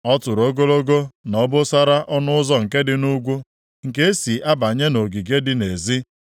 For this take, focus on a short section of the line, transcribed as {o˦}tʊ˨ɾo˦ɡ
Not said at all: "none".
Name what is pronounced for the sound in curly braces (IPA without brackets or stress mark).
ɔ˦